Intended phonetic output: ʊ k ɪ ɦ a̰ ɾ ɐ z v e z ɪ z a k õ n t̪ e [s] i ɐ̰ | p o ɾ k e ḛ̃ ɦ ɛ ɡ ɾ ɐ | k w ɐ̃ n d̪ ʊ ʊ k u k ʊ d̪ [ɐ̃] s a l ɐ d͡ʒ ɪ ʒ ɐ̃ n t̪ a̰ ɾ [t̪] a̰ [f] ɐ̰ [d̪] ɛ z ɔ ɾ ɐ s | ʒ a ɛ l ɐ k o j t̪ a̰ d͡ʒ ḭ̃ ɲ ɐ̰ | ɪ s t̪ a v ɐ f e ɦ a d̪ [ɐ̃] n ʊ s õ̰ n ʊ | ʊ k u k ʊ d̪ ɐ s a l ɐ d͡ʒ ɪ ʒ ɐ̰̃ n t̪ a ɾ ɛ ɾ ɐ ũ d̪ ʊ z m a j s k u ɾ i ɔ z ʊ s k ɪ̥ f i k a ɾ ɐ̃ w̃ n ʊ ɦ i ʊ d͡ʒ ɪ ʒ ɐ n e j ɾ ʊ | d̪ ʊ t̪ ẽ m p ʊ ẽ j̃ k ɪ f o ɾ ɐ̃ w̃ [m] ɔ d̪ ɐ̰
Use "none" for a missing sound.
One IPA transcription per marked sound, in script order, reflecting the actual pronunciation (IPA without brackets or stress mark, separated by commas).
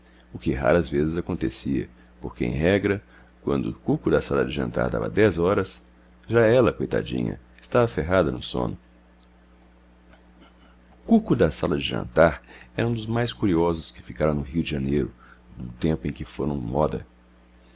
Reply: s, ɐ, d̪, v, d̪, ɐ, m